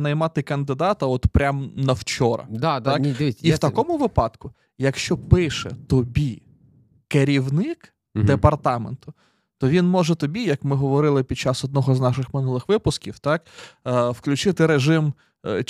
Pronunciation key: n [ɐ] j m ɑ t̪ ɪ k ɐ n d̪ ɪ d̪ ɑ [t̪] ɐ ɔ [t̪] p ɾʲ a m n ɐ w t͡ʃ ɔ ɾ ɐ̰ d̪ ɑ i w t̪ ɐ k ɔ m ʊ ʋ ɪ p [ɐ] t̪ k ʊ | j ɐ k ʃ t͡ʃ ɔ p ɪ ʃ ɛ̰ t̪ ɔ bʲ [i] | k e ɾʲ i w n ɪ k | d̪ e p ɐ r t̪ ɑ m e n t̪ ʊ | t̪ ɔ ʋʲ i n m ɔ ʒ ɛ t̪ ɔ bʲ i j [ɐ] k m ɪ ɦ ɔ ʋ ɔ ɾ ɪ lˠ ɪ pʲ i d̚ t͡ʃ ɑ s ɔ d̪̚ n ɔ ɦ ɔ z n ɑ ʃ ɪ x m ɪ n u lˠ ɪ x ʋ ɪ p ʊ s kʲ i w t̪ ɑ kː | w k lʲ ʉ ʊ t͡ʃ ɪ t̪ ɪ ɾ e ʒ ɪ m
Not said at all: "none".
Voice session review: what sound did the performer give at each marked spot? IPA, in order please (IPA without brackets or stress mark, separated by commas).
ɐ, t̪, t̪, ɑ, i, ɐ